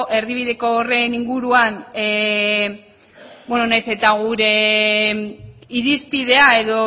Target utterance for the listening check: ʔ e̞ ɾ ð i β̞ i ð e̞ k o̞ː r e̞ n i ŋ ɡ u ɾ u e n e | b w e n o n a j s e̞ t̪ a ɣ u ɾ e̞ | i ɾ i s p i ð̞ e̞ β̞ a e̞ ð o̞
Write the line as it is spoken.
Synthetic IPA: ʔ e̞ ɾ ð i β̞ i ð e̞ k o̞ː r e̞ n i ŋ ɡ u ɾ u a n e | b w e n o n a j s e̞ t̪ a ɣ u ɾ e̞ | i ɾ i s p i ð̞ e̞ a e̞ ð o̞